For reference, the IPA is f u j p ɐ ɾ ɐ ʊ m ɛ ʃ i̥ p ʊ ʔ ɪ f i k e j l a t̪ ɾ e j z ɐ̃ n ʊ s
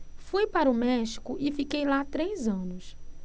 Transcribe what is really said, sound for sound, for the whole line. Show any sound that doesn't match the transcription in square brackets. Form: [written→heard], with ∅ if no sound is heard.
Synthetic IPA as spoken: f u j p [ɐ→a] ɾ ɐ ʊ m ɛ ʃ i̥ [p→k] ʊ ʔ ɪ f i k e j l a t̪ ɾ e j z ɐ̃ n ʊ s